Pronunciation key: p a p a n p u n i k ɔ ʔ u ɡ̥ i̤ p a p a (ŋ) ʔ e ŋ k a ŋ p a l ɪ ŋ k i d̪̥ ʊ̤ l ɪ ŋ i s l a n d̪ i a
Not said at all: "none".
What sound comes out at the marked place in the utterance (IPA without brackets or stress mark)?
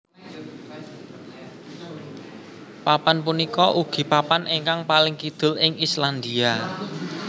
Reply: n